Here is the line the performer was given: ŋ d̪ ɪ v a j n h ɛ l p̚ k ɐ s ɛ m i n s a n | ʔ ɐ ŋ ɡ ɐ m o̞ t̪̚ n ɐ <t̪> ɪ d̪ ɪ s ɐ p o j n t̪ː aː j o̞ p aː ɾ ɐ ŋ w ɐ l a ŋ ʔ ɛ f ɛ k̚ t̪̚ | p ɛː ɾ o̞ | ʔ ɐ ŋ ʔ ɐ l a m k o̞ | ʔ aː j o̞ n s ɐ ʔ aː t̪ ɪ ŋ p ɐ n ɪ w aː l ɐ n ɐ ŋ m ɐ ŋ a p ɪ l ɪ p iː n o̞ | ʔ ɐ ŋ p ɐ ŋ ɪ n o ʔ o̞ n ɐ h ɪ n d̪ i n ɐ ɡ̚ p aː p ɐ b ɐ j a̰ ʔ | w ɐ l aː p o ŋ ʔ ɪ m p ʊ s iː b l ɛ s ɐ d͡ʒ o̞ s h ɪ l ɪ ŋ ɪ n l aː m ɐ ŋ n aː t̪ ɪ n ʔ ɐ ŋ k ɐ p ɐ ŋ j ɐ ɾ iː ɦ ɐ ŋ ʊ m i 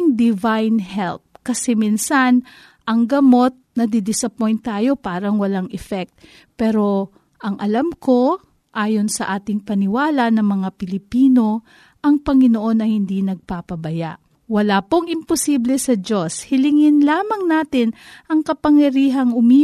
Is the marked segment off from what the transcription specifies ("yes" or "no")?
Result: yes